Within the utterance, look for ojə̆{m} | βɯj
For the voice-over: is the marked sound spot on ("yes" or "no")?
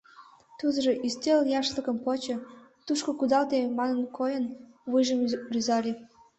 no